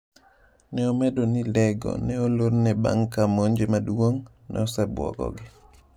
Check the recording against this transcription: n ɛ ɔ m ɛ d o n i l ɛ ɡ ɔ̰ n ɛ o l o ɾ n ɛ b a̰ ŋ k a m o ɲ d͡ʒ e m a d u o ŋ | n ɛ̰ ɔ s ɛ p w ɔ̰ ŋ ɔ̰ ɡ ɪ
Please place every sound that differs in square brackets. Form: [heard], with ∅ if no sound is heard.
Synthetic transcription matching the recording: n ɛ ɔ m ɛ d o n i l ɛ ɡ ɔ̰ n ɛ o l o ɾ n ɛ b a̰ ŋ k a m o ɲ d͡ʒ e m a d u o ŋ | n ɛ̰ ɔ s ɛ [b] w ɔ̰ [ɡ] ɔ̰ ɡ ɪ